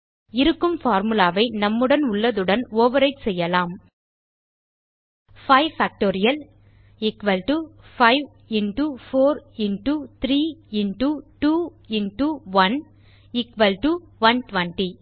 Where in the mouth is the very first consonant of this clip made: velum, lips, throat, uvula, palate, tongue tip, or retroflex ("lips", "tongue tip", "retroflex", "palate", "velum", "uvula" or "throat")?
tongue tip